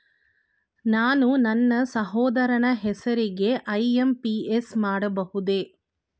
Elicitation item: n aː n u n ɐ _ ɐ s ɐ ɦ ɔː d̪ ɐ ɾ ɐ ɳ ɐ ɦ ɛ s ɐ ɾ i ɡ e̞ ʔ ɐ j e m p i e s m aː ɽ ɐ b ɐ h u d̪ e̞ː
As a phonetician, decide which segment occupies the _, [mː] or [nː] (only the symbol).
nː